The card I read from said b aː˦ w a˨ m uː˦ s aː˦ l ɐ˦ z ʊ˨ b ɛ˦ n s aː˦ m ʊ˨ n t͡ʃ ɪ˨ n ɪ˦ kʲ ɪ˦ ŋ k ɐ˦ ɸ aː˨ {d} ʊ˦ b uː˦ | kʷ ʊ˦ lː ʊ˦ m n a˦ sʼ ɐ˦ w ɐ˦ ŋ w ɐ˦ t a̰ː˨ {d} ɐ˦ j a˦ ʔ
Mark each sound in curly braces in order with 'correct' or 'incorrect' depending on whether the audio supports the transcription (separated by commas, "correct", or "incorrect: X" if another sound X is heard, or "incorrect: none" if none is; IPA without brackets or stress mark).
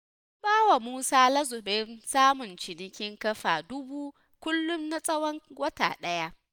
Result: correct, incorrect: ɗ